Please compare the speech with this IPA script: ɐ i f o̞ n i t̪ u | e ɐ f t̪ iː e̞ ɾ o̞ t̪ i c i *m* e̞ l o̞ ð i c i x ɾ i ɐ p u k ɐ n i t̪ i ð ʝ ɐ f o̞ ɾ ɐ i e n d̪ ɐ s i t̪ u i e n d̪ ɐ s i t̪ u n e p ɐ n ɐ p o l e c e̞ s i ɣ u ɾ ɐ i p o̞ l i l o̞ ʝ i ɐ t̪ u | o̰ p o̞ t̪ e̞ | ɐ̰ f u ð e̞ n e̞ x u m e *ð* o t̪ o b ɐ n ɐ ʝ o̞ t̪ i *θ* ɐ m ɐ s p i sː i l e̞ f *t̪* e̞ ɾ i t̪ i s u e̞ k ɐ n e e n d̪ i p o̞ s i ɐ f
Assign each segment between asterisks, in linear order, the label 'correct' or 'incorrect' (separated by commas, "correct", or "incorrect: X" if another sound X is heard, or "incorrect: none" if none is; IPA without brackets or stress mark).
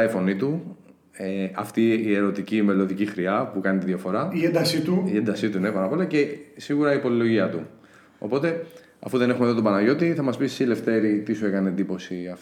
correct, correct, correct, correct